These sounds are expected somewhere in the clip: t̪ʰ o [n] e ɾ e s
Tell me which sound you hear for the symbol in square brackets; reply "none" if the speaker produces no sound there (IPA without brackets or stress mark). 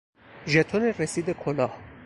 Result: n